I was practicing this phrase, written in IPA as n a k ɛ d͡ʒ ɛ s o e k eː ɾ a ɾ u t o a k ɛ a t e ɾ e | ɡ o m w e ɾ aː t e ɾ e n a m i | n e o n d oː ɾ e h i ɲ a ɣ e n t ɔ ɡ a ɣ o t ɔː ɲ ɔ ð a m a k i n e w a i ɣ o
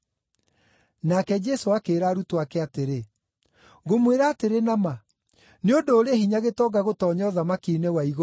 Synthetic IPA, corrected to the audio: n a k ɛ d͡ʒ ɛ s o a k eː ɾ a ɾ u t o a k ɛ a t e ɾ e | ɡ o m w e ɾ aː t e ɾ e n a m a | n e o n d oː ɾ e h i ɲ a ɣ e t ɔ ɡ a ɣ o t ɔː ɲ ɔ ð a m a k i n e w a i ɣ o

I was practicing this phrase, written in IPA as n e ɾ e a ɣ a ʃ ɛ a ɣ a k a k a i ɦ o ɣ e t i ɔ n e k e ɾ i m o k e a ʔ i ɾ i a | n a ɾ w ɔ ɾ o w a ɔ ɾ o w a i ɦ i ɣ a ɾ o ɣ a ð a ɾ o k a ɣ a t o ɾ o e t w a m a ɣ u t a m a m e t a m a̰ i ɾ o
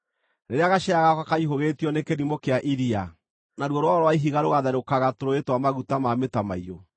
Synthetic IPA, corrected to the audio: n e ɾ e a ɣ a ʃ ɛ a ɣ a k a k a i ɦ o ɣ e t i ɔ n e k e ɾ i m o k e a ʔ i ɾ i a | n a ɾ w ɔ ɾ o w a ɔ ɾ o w a i ɦ i ɣ a ɾ o ɣ a ð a ɾ o k a ɣ a t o ɾ o e t w a m a ɣ u t a m a m e t a m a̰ i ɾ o

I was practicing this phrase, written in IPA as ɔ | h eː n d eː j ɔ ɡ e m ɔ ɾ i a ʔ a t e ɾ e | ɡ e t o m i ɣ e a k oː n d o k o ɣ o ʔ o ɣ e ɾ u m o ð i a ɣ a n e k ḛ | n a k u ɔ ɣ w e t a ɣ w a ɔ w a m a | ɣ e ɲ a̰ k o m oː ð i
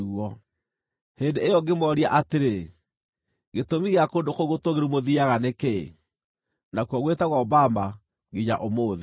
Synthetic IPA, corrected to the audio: ɔ | h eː n d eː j ɔ ɡ e m ɔ ɾ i a ʔ a t e ɾ e | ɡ e t o m i ɣ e a k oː n d o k o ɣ o t o ɣ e ɾ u m o ð i a ɣ a n e k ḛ | n a k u ɔ ɣ w e t a ɣ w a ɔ b a m a | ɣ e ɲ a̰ ʔ o m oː ð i

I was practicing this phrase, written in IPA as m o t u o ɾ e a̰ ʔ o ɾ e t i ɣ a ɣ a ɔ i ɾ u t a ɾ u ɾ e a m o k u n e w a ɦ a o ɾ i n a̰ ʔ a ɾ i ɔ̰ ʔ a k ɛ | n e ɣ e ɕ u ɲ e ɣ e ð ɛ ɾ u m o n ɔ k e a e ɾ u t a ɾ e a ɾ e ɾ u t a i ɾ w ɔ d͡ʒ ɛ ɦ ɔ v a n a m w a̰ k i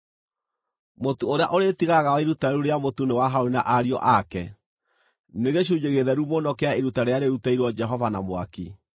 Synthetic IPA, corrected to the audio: m o t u o ɾ e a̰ ʔ o ɾ e t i ɣ a ɣ a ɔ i ɾ u t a ɾ u ɾ e a m o t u n e w a ɦ a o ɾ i n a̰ ʔ a ɾ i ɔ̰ ʔ a k ɛ | n e ɣ e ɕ u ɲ e ɣ e ð ɛ ɾ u m o n ɔ k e a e ɾ u t a ɾ e a ɾ e ɾ u t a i ɾ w ɔ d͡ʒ ɛ ɦ ɔ v a n a m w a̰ k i

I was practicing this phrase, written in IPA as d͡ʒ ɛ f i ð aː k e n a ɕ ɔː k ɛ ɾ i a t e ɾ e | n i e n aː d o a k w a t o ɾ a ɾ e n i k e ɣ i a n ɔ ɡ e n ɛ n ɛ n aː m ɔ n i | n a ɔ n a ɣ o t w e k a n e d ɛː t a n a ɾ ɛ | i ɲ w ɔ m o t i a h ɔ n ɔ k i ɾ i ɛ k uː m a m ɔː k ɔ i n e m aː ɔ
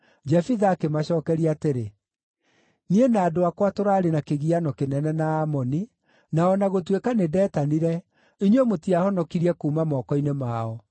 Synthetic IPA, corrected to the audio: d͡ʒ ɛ f i ð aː k e m a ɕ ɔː k ɛ ɾ i a t e ɾ e | n i e n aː d o a k w a t o ɾ a ɾ e n a k e ɣ i a n ɔ k e n ɛ n ɛ n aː m ɔ n i | n a ɔ n a ɣ o t w e k a n e d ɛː t a n i ɾ ɛ | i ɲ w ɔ m o t i a h ɔ n ɔ k i ɾ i ɛ k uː m a m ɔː k ɔ i n e m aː ɔ

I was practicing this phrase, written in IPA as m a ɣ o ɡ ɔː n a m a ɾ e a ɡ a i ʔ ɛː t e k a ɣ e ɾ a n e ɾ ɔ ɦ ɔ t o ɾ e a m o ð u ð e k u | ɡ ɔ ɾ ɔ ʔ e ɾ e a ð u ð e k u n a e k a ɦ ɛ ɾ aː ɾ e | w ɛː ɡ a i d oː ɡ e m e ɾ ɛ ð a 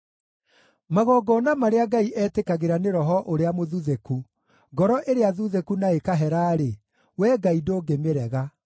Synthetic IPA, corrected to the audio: m a ɣ ɔ ɡ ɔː n a m a ɾ e a ɡ a i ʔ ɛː t e k a ɣ e ɾ a n e ɾ ɔ ɦ ɔ ʔ o ɾ e a m o ð u ð e k u | ɡ ɔ ɾ ɔ ʔ e ɾ e a ð u ð e k u n a e k a ɦ ɛ ɾ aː ɾ e | w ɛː ɡ a i d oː ɡ e m e ɾ ɛ ɣ a

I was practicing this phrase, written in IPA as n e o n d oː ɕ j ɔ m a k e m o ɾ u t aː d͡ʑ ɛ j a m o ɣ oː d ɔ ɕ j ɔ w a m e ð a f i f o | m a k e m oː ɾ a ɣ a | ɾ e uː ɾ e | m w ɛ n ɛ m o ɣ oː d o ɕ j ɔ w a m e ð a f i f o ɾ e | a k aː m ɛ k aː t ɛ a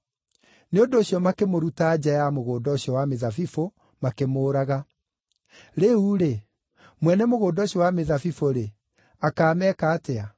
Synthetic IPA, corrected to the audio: n e o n d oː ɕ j ɔ m a k e m o ɾ u t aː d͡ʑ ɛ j a m o ɣ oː d ɔ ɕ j ɔ w a m e ð a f i f o | m a k e m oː ɾ a ɣ a | ɾ e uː ɾ e | m w ɛ n ɛ m o ɣ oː d ɔ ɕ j ɔ w a m e ð a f i f o ɾ e | a k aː m ɛ k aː t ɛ a

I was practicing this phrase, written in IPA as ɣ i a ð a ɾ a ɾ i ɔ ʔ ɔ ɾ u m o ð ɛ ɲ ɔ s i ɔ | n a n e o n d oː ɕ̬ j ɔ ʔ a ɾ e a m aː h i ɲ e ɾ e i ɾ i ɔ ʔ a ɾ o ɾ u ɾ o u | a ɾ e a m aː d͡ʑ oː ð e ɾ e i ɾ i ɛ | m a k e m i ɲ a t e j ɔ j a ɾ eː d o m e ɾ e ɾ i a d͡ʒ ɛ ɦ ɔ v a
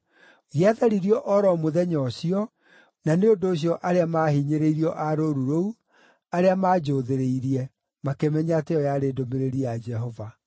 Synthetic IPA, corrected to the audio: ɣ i a ð a ɾ i ɾ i ɔ ʔ ɔ ɾ ɔ m o ð ɛ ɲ ɔ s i ɔ | n a n e o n d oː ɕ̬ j ɔ ʔ a ɾ e a m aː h i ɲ e ɾ e i ɾ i ɔ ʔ a ɾ o ɾ u ɾ o u | a ɾ e a m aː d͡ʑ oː ð e ɾ e i ɾ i ɛ | m a k e m ɛ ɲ a t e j ɔ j a ɾ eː d o m e ɾ e ɾ i a d͡ʒ ɛ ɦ ɔ v a

